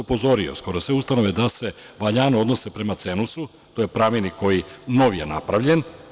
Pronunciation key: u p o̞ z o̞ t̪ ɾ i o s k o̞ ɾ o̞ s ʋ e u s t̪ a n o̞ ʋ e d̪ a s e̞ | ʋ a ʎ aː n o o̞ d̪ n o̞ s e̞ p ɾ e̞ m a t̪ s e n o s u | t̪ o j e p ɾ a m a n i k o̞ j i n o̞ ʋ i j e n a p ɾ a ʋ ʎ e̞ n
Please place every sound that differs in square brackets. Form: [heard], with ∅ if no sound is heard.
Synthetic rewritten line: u p o̞ z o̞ [∅] ɾ i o s k o̞ ɾ o̞ s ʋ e u s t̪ a n o̞ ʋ e d̪ a s e̞ | ʋ a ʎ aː n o o̞ d̪ n o̞ s e̞ p ɾ e̞ m a t̪ s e n [u] s u | t̪ o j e p ɾ a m [i] n i k o̞ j i n o̞ ʋ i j e n a p ɾ a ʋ ʎ e̞ n